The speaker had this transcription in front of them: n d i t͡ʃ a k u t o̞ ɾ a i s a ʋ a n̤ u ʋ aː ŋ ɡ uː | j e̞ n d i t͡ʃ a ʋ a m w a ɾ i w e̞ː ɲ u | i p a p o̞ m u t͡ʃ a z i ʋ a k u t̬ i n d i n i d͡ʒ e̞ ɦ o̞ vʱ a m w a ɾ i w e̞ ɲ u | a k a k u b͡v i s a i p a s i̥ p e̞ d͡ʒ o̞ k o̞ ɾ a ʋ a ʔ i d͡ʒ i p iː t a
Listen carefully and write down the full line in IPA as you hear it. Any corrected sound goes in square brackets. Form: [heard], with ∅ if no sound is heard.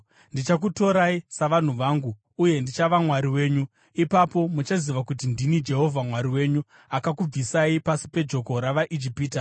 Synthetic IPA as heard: n d i t͡ʃ a k u t o̞ ɾ a i s a ʋ a n̤ u ʋ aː ŋ ɡ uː | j e̞ n d i t͡ʃ a ʋ a m w a ɾ i w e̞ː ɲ u | i p a p o̞ m u t͡ʃ a z i ʋ a k u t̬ i n d i n i d͡ʒ e̞ ɦ o̞ vʱ a m w a ɾ i w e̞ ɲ u | a k a k u b͡v i s a i p a s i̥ p e̞ d͡ʒ o̞ k o̞ ɾ a ʋ a ʔ i d͡ʒ i p iː t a

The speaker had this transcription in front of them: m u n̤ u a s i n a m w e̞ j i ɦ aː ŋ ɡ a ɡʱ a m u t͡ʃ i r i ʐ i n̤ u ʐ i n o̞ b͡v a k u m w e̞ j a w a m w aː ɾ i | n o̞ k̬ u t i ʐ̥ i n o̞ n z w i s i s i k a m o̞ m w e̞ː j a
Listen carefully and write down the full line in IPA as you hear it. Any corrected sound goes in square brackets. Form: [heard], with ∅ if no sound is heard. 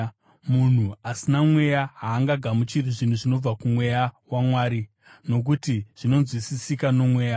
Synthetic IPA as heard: m u n̤ u a s i n a m w e̞ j [a] ɦ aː ŋ ɡ a ɡʱ a m u t͡ʃ i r i ʐ i n̤ u ʐ i n o̞ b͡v a k u m w e̞ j a w a m w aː ɾ i | n o̞ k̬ u t i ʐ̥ i n o̞ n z w i s i s i k a [n] o̞ m w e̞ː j a

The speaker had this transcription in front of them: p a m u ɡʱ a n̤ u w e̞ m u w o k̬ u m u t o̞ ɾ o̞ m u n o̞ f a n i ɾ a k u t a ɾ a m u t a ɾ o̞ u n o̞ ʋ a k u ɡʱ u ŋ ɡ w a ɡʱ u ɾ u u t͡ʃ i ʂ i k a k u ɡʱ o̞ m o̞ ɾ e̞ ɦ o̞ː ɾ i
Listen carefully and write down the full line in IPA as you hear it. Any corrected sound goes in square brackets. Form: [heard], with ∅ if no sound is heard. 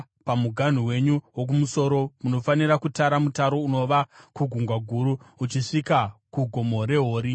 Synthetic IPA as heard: p a m u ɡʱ a n̤ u w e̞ [ɲ] u w o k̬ u m u [s] o̞ ɾ o̞ m u n o̞ f a n i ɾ a k u t a ɾ a m u t a ɾ o̞ u n o̞ ʋ a k u ɡʱ u ŋ ɡ w a ɡʱ u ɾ u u t͡ʃ i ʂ i k a k u ɡʱ o̞ m o̞ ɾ e̞ ɦ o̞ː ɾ i

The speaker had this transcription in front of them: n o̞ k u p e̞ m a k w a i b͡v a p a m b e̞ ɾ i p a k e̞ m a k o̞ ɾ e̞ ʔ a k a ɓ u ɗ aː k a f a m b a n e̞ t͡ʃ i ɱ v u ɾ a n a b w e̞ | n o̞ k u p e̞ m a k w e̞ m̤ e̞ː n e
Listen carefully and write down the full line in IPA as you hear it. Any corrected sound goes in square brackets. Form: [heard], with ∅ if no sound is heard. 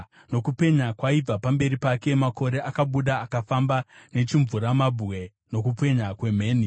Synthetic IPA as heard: n o̞ k u p e̞ [ɲ] a k w a i b͡v a p a m b e̞ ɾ i p a k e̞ m a k o̞ ɾ e̞ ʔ a k a ɓ u ɗ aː k a f a m b a n e̞ t͡ʃ i ɱ v u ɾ a [m] a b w e̞ | n o̞ k u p e̞ [ɲ] a k w e̞ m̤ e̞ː n [i]

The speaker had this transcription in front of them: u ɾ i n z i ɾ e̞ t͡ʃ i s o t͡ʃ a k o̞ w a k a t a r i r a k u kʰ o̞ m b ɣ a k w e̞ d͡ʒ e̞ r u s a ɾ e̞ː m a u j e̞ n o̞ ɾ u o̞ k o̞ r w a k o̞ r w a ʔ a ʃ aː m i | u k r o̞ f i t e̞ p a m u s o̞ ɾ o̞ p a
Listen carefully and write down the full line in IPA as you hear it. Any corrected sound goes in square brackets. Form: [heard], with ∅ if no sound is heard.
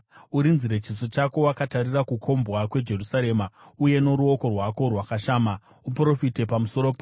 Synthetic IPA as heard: u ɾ i n z i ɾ e̞ t͡ʃ i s o t͡ʃ a k o̞ w a k a t a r i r a k u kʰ o̞ m b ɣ a k w e̞ d͡ʒ e̞ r u s a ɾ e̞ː m a u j e̞ n o̞ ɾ u o̞ k o̞ r w a k o̞ r w a [k] a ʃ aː m [a] | u [p] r o̞ f i t e̞ p a m u s o̞ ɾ o̞ p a

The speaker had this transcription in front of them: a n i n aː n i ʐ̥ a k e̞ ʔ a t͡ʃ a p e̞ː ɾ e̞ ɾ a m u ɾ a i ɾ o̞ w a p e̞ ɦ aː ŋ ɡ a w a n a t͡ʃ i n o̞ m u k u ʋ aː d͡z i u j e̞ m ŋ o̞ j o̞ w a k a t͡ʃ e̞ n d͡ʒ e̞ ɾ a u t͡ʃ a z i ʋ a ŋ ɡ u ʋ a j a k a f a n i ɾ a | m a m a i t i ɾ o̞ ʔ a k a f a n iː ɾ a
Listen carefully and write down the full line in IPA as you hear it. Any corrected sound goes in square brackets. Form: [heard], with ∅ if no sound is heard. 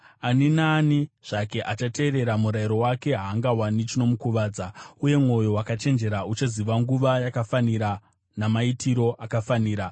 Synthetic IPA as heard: a n i n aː n i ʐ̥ a k e̞ ʔ a t͡ʃ a [t] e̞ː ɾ e̞ ɾ a m u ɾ a i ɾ o̞ w a [k] e̞ ɦ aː ŋ ɡ a w a n [i] t͡ʃ i n o̞ m u k u ʋ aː d͡z [a] u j e̞ m ŋ o̞ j o̞ w a k a t͡ʃ e̞ n d͡ʒ e̞ ɾ a u t͡ʃ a z i ʋ a ŋ ɡ u ʋ a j a k a f a n i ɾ a | [n] a m a i t i ɾ o̞ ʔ a k a f a n iː ɾ a

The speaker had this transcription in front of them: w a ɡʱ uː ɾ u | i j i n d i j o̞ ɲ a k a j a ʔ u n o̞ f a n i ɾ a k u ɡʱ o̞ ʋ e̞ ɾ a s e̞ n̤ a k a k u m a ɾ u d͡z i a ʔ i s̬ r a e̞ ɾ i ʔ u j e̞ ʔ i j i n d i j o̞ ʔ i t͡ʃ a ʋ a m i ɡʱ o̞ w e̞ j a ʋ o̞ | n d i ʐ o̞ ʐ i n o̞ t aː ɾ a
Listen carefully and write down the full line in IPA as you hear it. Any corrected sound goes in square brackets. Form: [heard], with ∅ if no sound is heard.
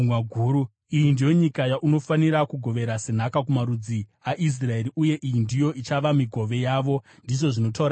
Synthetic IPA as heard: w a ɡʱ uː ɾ u | i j i n d i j o̞ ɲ [i] k a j a ʔ u n o̞ f a n i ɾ a k u ɡʱ o̞ ʋ e̞ ɾ a s e̞ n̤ a k a k u m a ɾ u d͡z i a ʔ i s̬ r a e̞ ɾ i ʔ u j e̞ ʔ i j i n d i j o̞ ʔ i t͡ʃ a ʋ a m i ɡʱ o̞ [ʋ] e̞ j a ʋ o̞ | n d i ʐ o̞ ʐ i n o̞ t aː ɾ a

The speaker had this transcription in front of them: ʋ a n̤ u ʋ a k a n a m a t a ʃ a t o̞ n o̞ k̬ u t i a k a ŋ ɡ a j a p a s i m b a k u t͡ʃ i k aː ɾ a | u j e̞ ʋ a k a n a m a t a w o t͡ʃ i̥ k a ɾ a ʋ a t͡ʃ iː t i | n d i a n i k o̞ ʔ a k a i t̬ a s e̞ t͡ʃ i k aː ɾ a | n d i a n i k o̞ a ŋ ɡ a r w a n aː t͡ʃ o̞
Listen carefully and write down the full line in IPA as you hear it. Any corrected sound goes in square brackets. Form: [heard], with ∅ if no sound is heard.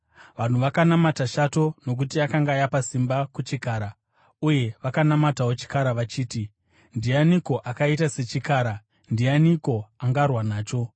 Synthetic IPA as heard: ʋ a n̤ u ʋ a k a n a m a t a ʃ a t o̞ n o̞ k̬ u t i a k a ŋ ɡ a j a p a s i m b a k u t͡ʃ i k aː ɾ a | u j e̞ ʋ a k a n a m a t a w o t͡ʃ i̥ k a ɾ a ʋ a t͡ʃ iː t i | n d i a n i k o̞ ʔ a k a i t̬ a s e̞ t͡ʃ i k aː ɾ a | n d i a n i k o̞ a ŋ ɡ a r w a n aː t͡ʃ o̞

